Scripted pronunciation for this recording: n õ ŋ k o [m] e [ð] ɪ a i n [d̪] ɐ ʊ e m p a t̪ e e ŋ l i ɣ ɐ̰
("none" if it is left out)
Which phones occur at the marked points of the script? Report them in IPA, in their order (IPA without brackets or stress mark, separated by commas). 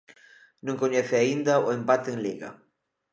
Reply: ɲ, θ, d̪